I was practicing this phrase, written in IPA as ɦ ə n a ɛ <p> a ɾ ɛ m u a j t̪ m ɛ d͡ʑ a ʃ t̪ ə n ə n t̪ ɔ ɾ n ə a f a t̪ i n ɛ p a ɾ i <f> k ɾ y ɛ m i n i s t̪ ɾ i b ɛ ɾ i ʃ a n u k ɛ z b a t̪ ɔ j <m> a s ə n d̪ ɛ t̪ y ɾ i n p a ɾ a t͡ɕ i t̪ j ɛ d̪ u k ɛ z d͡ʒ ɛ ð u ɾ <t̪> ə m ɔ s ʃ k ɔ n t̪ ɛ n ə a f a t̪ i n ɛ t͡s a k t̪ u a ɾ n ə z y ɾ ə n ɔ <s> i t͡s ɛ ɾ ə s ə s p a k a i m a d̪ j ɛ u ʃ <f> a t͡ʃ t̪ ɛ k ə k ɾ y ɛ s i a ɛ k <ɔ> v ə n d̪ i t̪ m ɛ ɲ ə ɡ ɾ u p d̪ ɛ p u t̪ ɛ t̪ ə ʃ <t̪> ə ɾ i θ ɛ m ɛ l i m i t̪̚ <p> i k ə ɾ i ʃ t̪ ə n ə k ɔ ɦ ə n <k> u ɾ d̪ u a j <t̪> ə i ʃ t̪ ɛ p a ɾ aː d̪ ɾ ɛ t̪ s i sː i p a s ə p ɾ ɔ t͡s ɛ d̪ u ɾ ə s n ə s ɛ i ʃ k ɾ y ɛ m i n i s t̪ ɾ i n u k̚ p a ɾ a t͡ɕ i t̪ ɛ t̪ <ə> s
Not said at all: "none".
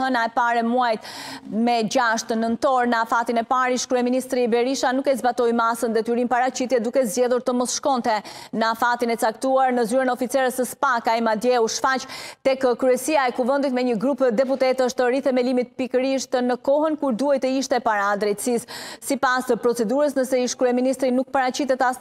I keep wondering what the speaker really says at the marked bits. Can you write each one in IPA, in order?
p, ʃ, m, t̪, f, f, u, t̪, p, k, t̪, a

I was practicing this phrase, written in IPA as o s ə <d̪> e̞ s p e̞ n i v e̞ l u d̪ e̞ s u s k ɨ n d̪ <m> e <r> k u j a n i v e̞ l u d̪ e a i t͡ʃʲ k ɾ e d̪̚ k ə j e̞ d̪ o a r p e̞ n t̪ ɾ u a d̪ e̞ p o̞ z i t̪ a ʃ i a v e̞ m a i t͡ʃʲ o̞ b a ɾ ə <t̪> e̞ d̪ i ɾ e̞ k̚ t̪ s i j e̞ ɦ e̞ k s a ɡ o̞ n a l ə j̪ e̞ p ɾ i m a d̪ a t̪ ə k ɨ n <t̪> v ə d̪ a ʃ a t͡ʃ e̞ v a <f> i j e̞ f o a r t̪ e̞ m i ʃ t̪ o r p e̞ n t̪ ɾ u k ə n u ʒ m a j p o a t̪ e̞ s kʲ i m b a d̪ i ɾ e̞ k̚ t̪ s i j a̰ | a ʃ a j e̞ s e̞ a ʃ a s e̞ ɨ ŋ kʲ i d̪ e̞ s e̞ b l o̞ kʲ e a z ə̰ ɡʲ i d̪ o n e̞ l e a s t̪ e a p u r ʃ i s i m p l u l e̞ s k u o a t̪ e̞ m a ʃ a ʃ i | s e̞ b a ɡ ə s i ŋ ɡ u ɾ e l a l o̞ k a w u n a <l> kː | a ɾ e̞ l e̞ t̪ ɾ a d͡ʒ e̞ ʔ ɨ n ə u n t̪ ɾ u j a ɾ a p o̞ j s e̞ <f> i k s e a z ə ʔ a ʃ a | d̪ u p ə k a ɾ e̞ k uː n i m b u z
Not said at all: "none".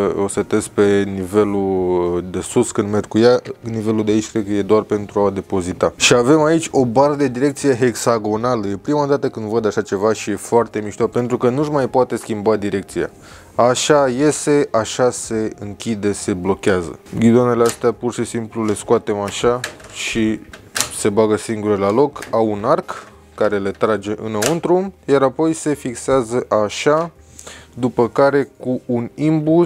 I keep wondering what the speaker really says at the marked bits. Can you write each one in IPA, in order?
t̪, m, r, d̪, d̪, ʃ, r, f

